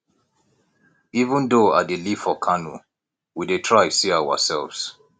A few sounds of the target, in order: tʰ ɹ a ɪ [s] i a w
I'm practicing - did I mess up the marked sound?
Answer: no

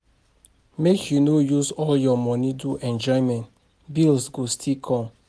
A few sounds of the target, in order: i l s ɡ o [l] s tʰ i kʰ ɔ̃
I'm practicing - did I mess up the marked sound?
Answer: yes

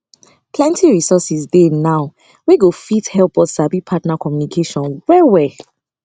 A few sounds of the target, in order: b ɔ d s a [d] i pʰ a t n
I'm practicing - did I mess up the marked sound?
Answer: yes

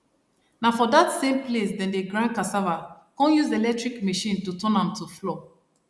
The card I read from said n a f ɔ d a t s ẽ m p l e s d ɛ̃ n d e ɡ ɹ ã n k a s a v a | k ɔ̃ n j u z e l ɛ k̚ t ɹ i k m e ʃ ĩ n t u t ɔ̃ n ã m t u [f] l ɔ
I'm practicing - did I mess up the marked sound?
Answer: no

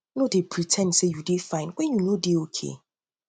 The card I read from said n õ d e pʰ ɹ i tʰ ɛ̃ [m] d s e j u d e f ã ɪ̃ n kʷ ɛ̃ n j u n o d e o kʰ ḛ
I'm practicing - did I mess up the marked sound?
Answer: yes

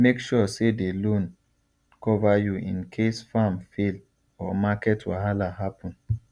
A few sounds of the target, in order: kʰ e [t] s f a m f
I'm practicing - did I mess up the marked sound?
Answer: yes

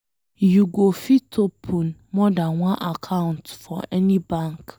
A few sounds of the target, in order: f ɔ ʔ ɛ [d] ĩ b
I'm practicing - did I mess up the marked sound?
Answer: yes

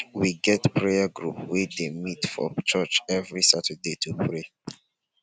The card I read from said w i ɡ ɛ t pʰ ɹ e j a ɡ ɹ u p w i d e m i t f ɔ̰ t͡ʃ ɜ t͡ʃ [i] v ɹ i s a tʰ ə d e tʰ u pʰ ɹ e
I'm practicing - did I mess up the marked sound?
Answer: yes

